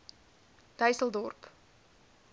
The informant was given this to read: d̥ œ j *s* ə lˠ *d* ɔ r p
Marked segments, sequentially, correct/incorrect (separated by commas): correct, correct